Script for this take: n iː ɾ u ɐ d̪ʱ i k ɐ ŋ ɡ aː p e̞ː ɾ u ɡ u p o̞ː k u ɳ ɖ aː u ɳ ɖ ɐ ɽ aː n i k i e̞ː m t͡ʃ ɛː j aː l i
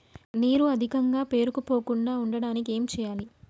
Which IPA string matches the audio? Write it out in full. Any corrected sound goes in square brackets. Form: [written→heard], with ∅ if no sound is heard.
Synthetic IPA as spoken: n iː ɾ u ɐ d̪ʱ i k ɐ ŋ ɡ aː p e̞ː ɾ u [ɡ→k] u p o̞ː k u ɳ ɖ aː u ɳ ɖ ɐ ɽ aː n i k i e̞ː m t͡ʃ ɛː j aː l i